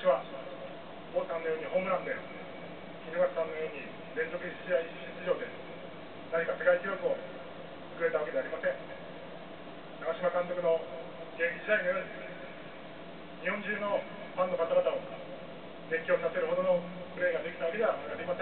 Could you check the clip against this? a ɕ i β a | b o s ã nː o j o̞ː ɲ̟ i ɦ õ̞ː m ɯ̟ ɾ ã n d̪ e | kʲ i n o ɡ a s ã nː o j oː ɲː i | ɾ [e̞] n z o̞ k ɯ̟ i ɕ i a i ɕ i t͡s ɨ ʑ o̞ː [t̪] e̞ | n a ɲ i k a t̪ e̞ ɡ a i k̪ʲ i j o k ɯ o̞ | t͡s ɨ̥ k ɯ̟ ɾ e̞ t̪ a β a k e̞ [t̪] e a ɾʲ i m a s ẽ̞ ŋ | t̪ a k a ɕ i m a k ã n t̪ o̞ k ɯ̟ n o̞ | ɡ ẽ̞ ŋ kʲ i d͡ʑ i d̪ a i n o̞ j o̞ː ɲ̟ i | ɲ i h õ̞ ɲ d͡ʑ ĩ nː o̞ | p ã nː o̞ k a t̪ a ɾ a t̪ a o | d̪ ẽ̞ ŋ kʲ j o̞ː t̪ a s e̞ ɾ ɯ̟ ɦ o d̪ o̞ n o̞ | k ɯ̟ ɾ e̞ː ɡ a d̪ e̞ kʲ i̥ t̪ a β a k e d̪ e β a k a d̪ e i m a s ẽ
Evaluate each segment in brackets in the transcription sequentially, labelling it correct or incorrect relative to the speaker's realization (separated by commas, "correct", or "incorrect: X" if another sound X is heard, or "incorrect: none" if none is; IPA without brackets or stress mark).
incorrect: ẽ̞, incorrect: d̪, incorrect: d̪